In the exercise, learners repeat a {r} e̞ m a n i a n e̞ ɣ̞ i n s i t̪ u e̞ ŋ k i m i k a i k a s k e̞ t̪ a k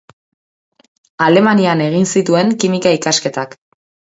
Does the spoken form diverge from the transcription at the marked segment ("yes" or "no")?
yes